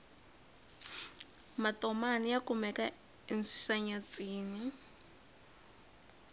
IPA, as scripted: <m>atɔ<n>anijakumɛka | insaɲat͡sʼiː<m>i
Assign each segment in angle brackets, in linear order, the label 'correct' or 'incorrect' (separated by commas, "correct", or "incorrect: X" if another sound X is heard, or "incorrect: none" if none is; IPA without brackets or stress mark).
correct, incorrect: m, incorrect: n